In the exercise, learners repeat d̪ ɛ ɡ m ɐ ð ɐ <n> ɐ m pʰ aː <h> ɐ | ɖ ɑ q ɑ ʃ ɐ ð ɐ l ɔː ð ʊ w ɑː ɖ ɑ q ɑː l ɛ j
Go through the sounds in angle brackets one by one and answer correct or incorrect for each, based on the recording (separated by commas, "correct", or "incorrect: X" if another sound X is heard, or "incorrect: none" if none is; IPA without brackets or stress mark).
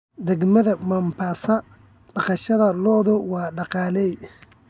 incorrect: m, incorrect: s